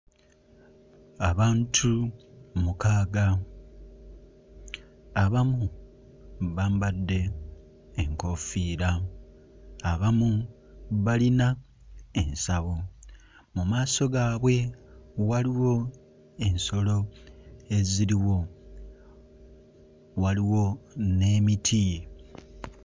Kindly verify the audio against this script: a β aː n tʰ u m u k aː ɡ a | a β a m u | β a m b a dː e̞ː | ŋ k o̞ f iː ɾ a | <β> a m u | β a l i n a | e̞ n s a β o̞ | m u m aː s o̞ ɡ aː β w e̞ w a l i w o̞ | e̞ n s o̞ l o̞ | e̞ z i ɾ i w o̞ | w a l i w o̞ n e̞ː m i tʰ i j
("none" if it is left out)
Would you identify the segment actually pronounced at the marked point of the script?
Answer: β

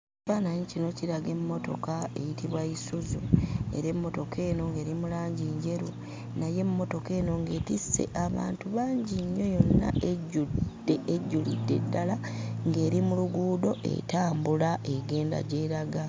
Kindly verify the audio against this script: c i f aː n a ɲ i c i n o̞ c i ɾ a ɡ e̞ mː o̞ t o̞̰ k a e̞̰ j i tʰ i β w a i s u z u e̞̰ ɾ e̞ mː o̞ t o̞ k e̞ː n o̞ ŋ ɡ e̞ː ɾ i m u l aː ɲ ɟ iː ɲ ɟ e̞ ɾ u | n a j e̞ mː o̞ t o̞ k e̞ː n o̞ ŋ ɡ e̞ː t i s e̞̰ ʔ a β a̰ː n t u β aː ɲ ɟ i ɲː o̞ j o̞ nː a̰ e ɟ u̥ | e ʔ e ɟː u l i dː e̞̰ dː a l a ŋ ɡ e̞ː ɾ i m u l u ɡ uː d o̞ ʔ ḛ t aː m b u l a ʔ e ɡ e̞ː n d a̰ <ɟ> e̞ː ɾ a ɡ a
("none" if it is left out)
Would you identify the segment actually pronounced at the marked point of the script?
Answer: ɟ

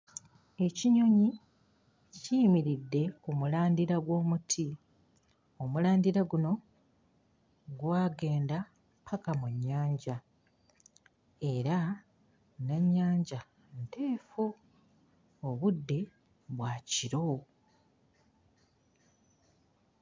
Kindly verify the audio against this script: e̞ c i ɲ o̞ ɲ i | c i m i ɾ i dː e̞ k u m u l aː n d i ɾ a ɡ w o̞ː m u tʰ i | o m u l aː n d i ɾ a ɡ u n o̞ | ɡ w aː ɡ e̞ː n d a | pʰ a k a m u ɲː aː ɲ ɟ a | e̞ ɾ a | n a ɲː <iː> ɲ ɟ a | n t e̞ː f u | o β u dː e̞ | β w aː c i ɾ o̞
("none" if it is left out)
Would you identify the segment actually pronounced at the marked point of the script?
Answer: aː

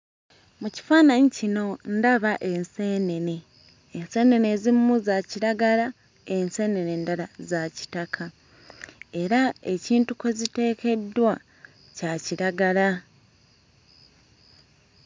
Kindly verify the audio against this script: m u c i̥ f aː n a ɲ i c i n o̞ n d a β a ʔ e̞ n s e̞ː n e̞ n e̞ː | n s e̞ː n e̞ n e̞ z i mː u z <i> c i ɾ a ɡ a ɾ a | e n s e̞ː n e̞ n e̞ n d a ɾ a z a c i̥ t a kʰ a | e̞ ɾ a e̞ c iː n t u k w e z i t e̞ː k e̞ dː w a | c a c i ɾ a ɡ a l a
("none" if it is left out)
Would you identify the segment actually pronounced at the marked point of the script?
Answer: a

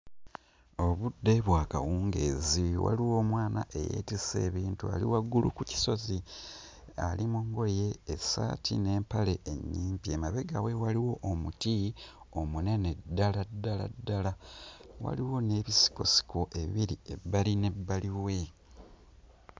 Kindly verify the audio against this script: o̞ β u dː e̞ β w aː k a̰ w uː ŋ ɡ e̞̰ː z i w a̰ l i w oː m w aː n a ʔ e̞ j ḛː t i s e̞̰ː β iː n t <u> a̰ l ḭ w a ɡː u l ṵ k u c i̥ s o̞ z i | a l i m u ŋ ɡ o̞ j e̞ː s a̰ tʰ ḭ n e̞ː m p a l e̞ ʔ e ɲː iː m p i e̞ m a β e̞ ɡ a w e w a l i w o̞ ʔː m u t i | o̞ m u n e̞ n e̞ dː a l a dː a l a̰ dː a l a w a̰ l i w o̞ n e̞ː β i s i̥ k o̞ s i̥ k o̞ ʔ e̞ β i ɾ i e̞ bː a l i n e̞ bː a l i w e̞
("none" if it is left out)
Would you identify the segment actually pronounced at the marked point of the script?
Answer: u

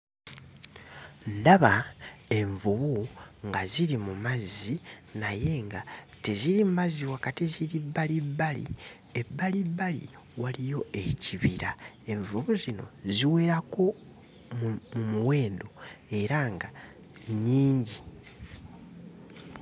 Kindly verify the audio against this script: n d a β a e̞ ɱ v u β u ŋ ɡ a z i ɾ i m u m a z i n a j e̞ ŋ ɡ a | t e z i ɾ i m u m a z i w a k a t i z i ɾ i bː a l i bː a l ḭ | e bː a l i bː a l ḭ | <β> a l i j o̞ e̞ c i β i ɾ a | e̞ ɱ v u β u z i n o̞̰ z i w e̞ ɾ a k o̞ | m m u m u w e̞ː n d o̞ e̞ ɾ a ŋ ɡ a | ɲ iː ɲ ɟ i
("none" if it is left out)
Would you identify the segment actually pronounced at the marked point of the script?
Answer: w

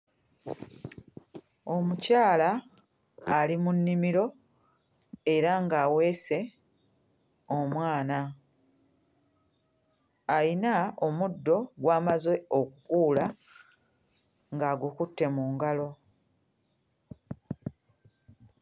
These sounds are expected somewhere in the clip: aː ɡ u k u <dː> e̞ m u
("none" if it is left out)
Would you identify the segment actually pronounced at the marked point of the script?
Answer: tː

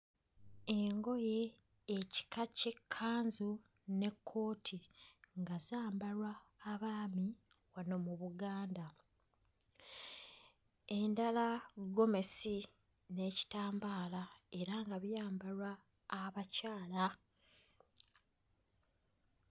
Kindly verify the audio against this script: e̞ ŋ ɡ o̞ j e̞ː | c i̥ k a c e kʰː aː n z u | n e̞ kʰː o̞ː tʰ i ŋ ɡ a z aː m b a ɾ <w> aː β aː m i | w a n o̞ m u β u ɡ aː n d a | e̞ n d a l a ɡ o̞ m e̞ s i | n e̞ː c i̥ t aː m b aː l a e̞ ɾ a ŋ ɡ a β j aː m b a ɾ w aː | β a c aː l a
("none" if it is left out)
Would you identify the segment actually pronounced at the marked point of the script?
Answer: w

